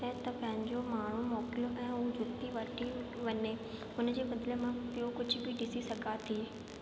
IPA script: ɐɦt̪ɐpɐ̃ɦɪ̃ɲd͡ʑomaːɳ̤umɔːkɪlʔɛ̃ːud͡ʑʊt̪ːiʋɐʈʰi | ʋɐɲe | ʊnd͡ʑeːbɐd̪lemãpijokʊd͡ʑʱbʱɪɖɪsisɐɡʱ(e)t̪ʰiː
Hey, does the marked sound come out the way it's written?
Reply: no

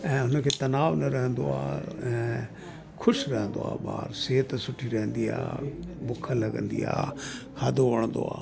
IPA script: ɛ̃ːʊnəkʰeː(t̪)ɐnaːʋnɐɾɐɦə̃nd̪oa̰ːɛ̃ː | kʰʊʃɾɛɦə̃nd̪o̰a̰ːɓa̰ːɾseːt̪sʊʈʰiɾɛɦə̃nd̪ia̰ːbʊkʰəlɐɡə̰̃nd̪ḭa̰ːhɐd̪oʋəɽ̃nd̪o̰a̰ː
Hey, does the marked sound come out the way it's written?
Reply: yes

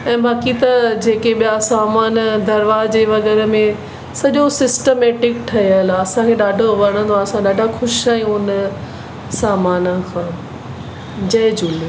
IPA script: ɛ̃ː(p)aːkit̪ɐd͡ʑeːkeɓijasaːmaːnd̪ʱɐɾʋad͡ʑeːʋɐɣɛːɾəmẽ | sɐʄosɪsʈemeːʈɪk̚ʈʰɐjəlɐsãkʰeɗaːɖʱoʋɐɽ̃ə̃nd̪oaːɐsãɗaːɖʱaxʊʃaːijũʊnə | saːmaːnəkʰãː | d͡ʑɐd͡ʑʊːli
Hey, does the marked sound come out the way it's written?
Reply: no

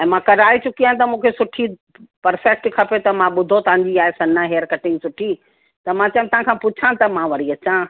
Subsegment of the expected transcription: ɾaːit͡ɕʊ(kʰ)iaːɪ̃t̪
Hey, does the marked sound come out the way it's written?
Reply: no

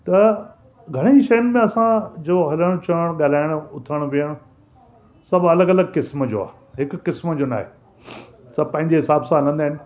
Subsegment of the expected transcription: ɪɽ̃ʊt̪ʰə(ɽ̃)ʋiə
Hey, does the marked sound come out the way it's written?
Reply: yes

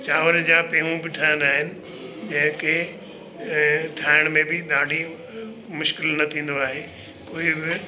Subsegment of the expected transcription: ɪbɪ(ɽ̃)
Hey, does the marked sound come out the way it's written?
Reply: no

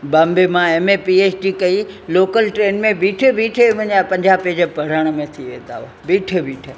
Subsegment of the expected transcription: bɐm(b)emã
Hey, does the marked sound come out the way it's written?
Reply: yes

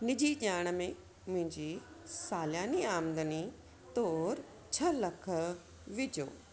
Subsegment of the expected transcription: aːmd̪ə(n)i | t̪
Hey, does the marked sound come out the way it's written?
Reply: yes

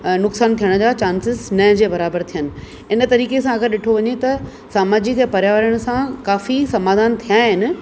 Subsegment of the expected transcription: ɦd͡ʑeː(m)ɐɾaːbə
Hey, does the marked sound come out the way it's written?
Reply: no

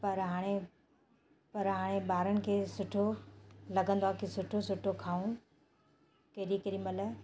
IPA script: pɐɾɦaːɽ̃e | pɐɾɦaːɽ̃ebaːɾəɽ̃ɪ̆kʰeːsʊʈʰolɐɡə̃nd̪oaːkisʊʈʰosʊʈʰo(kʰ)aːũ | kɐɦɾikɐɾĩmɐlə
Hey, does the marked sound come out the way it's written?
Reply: yes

